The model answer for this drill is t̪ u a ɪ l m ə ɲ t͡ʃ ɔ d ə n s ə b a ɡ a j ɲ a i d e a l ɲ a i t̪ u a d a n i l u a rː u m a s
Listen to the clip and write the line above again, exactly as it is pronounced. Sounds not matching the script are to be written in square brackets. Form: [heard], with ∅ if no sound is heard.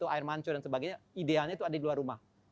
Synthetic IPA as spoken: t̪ u a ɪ [r] m [a] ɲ t͡ʃ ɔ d [a] n s ə b a ɡ a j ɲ a i d e a l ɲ a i t̪ u a d a [d] i l u a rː u m a [h]